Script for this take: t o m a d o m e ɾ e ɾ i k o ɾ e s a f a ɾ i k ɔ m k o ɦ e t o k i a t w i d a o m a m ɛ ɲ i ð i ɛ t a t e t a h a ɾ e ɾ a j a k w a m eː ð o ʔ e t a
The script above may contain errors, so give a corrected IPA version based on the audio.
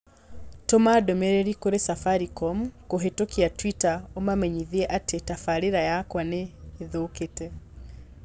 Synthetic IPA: t o m a d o m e ɾ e ɾ i k o ɾ e s a f a ɾ i k ɔ m k o ɦ e t o k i a t w i t a o m a m ɛ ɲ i ð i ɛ ʔ a t e t a f a ɾ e ɾ a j a k w a n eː ð o k e t ɛ

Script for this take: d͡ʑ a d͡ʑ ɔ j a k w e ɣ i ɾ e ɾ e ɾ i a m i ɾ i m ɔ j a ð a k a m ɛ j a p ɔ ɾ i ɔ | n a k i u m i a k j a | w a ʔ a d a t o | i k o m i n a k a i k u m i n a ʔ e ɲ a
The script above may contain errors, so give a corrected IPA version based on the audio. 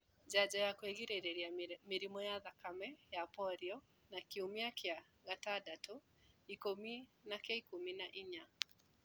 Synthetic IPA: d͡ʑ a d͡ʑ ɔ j a k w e ɣ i ɾ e ɾ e ɾ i a m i ɾ i m ɔ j a ð a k a m ɛ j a p ɔ ɾ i ɔ | n a k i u m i a k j a | ɣ a t a d a t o | i k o m i n a k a i k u m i n a ʔ i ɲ a

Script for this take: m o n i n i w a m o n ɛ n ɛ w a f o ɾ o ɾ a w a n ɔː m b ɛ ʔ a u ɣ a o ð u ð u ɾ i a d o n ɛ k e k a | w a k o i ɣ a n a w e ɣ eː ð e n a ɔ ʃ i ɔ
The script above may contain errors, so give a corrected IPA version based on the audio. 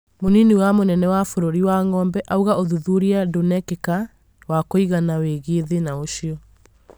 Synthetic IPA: m o n i n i w a m o n ɛ n ɛ w a f o ɾ o ɾ i w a ŋ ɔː m b ɛ ʔ a u ɣ a o ð u ð u ɾ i a d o n ɛ k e k a | w a k o i ɣ a n a w e ɣ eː ð e n a o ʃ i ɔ

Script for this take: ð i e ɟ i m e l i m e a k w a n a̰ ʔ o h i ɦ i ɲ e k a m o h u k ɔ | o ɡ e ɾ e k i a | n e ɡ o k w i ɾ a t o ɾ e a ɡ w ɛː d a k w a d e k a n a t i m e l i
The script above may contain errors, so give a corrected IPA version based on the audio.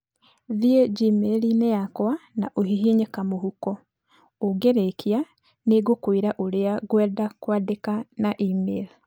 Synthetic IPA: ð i e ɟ i m e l i n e a k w a n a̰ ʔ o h i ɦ i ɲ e k a m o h u k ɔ | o ɡ e ɾ e k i a | n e ɡ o k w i ɾ a ʔ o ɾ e a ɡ w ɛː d a k w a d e k a n a ʔ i m e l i

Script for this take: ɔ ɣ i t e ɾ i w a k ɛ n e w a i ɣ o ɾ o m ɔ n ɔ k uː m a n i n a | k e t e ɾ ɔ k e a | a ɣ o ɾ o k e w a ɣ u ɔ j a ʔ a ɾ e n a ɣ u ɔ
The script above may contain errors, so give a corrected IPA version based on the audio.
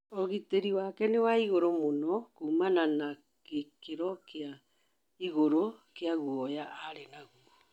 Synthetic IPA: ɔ ɣ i t e ɾ i w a k ɛ n e w a i ɣ o ɾ o m o n ɔ k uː m a n a n a | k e k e ɾ ɔ k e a | i ɣ o ɾ o k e a ɣ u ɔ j a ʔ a ɾ e n a ɣ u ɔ

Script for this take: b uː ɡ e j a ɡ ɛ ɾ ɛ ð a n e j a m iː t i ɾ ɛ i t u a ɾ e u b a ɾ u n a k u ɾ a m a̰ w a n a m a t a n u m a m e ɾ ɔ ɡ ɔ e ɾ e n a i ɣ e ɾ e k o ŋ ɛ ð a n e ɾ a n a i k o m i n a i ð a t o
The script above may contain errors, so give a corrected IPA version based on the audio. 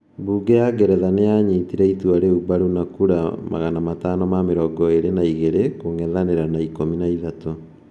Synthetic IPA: b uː ɡ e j a ɡ ɛ ɾ ɛ ð a n e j a ɲ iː t i ɾ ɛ i t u a ɾ e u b a ɾ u n a k u ɾ a m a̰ ɣ a n a m a t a n ɔ m a m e ɾ ɔ ɡ ɔ e ɾ e n a i ɣ e ɾ e k o ŋ ɛ ð a n e ɾ a n a i k o m i n a i ð a t o

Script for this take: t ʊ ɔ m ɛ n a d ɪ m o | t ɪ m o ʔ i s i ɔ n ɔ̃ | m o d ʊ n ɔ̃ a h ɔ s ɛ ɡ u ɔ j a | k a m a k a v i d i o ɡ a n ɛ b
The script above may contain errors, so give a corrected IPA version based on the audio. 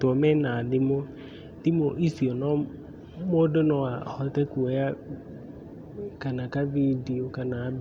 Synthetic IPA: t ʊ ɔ m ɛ n a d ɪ m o | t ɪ m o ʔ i s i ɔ n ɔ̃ | m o d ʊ n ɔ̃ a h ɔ t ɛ k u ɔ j a | k a n a k a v i d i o k a n a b

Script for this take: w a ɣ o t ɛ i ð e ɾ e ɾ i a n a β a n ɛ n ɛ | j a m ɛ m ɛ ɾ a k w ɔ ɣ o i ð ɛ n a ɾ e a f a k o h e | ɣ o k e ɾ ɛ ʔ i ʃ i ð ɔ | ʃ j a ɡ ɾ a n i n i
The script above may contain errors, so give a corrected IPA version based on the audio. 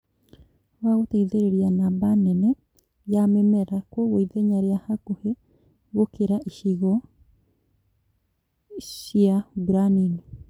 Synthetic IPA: w a ɣ o t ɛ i ð e ɾ e ɾ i a n a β a n ɛ n ɛ | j a m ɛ m ɛ ɾ a k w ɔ ɣ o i ð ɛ ɲ a ɾ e a h a k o h e | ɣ o k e ɾ a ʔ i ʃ i ɣ ɔ | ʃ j a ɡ ɾ a n i n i

